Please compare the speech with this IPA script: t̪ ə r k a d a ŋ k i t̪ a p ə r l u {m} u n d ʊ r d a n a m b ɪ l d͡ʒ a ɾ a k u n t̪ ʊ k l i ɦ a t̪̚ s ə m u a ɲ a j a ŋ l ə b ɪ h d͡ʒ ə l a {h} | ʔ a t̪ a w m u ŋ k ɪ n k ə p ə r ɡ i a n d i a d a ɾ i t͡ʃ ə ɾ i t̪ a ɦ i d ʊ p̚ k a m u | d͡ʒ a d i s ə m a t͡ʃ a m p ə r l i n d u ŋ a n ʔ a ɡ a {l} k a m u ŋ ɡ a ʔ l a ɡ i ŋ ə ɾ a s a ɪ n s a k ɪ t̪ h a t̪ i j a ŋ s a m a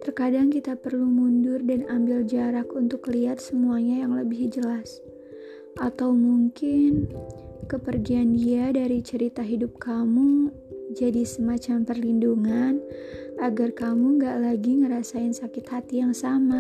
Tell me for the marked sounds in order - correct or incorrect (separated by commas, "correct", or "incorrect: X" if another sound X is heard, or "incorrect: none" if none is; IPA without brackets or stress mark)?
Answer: correct, incorrect: s, incorrect: r